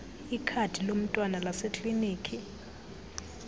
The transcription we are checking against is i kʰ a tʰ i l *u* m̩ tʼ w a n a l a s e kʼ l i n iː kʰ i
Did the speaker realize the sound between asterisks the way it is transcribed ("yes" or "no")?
no